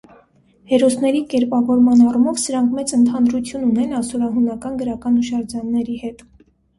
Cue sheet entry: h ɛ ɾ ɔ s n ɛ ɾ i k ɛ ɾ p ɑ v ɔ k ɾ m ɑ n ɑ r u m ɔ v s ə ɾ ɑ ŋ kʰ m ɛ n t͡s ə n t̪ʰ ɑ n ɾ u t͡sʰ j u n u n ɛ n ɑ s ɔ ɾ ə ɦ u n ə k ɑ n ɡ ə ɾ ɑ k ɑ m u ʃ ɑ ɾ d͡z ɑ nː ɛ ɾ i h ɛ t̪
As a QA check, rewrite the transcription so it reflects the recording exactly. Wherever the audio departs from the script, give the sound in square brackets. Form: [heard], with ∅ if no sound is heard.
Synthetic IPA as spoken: h ɛ ɾ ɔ s n ɛ ɾ i k ɛ ɾ p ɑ v ɔ [∅] ɾ m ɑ n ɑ r u m ɔ v s ə ɾ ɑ ŋ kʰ m ɛ [∅] t͡s ə n t̪ʰ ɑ n ɾ u t͡sʰ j u n u n ɛ n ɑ s ɔ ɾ [ɑ] ɦ u n [ɑ] k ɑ n ɡ ə ɾ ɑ k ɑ [n] u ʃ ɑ ɾ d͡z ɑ nː ɛ ɾ i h ɛ t̪